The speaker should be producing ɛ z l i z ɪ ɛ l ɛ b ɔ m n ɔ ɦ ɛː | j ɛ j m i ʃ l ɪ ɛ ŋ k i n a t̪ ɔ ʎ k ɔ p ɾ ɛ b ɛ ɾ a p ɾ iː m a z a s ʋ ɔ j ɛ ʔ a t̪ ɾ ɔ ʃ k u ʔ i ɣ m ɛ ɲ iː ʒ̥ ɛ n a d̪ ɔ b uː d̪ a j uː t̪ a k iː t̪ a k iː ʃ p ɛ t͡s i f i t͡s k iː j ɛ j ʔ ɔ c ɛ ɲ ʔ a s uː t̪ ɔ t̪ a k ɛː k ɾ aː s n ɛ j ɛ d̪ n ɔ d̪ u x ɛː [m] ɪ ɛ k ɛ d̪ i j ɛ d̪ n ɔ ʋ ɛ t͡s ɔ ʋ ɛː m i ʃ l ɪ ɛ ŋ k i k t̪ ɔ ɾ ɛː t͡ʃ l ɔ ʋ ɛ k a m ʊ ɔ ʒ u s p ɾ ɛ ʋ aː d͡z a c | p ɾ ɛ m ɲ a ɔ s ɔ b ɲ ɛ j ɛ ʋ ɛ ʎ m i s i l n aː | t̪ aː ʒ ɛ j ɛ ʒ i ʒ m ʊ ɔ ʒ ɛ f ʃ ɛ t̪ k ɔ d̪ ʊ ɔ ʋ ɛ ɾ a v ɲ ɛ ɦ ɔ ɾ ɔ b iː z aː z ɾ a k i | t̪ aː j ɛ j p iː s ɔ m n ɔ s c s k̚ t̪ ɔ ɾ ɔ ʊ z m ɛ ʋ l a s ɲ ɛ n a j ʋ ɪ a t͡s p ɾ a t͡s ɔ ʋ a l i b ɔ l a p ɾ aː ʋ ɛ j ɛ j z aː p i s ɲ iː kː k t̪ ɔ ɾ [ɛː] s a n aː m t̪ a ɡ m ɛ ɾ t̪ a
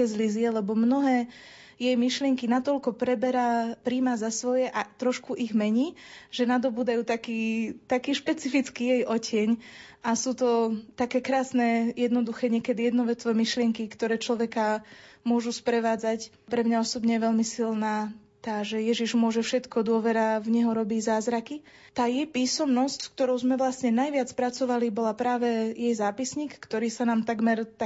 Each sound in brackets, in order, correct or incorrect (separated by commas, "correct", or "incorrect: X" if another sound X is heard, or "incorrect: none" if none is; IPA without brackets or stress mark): incorrect: ɲ, incorrect: iː